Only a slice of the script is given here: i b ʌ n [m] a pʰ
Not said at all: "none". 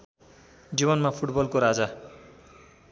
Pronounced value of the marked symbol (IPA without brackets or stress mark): m